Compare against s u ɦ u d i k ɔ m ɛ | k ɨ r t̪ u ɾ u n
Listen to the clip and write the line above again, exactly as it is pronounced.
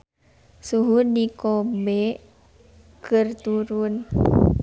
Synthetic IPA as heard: s u ɦ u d i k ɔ b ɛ | k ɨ r t̪ u ɾ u n